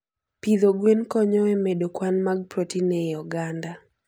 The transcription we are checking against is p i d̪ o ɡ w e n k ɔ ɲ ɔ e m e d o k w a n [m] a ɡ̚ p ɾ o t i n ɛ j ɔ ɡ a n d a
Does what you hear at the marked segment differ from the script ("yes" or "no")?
no